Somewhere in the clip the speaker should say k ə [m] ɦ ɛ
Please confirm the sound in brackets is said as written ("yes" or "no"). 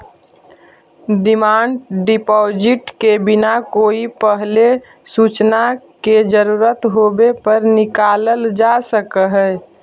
no